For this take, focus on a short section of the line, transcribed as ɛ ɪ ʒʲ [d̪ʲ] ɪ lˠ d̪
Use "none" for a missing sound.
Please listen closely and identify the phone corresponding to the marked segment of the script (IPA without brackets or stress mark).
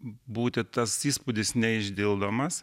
d̪ʲ